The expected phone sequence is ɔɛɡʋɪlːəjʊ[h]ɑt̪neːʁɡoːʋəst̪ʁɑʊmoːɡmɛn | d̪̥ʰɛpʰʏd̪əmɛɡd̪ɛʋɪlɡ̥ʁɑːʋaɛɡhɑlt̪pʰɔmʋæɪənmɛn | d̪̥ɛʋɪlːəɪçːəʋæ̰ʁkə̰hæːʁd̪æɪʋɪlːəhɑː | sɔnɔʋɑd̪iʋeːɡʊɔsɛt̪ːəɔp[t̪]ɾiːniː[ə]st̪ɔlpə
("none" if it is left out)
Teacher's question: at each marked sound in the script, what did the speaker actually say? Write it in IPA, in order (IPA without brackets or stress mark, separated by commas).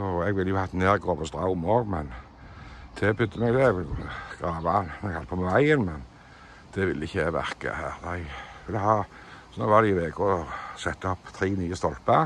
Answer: h, t̪ʰ, ə